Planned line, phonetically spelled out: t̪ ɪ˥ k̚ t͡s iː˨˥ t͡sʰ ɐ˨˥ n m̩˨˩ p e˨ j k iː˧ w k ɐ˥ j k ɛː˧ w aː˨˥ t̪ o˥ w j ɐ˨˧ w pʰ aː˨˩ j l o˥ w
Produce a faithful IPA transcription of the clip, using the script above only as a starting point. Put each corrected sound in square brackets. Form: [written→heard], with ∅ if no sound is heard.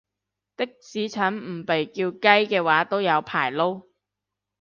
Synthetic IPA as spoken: t̪ ɪ˥ k̚ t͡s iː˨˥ t͡sʰ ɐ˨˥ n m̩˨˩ p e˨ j k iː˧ w k ɐ˥ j k ɛː˧ w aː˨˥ t̪ o˥ w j ɐ˨˧ w pʰ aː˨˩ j l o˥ w